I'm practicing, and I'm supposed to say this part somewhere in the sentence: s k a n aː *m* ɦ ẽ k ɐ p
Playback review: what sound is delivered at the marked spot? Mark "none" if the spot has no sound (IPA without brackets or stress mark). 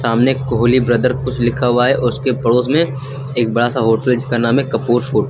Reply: m